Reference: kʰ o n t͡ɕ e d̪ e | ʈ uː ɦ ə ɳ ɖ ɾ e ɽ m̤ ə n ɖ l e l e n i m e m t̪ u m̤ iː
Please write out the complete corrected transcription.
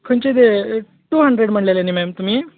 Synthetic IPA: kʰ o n t͡ɕ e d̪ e | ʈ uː ɦ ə ɳ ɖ ɾ e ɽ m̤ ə ɳ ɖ l e l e n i m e m t̪ u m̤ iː